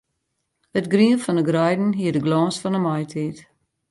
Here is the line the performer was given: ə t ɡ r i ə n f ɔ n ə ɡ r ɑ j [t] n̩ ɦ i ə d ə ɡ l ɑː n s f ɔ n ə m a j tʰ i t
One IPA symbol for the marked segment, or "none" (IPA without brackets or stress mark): d